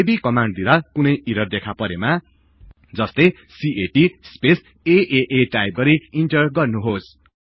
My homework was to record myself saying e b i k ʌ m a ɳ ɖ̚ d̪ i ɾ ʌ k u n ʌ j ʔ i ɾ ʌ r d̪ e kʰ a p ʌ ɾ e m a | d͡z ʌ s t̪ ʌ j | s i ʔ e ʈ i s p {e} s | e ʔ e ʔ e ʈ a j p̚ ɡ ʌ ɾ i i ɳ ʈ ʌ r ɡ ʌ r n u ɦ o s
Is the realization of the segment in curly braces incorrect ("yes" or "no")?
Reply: no